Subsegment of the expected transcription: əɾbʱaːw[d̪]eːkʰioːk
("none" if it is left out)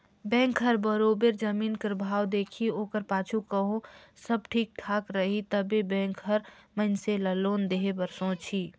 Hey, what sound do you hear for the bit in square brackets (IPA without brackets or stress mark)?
d̪